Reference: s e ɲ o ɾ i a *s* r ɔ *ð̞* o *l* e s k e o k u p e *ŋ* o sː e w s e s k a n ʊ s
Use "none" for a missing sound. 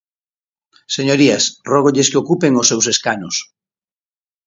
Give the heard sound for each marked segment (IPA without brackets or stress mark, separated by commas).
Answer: s, ɣ̞, ʎ, ŋ